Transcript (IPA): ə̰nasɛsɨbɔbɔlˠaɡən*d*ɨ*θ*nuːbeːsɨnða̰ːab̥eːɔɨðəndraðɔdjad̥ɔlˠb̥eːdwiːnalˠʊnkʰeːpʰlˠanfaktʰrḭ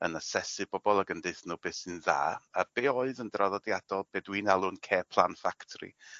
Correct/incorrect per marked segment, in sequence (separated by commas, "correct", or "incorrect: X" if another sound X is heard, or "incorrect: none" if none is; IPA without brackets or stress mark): correct, correct